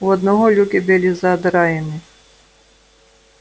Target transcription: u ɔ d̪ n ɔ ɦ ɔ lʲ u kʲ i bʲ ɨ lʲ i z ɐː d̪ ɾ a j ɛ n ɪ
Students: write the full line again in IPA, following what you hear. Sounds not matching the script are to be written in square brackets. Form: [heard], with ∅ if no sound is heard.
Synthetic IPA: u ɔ d̪ n ɔ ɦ ɔ lʲ u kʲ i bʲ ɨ lʲ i z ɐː d̪ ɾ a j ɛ n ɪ

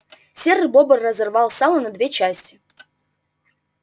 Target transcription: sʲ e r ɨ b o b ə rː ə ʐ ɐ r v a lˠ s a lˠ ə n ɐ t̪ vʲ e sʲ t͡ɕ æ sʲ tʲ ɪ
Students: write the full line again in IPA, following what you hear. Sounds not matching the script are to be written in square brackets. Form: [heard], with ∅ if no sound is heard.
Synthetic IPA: sʲ e r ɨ b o b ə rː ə [z] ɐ r v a lˠ s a lˠ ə n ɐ [d̪] vʲ e [∅] t͡ɕ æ sʲ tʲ ɪ

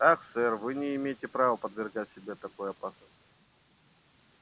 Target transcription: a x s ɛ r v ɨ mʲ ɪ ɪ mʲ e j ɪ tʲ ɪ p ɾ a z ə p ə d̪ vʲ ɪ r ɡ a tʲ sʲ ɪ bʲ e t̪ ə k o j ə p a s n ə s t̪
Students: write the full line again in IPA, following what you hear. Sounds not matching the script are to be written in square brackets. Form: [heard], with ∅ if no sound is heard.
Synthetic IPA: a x s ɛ r v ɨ [nʲ] ɪ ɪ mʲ e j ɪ tʲ ɪ p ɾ a [v] ə p ə d̪ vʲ ɪ r ɡ a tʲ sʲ ɪ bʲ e t̪ [ɐ] k o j [ɐ] p a s n ə s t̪

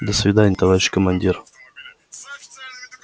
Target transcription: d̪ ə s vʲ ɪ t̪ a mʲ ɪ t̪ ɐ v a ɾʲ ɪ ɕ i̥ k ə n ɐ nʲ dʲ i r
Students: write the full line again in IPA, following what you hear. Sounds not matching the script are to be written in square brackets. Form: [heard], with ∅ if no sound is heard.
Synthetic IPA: d̪ ə s vʲ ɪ [d̪] a [nʲ] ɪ t̪ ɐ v a ɾʲ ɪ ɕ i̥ k ə [m] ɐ nʲ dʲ i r

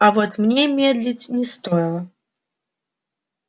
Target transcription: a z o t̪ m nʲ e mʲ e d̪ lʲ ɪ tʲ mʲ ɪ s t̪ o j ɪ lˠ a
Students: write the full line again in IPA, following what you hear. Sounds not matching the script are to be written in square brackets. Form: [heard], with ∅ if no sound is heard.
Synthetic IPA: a [v] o t̪ m nʲ e mʲ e d̪ lʲ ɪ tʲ [nʲ] ɪ s t̪ o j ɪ lˠ [ə]

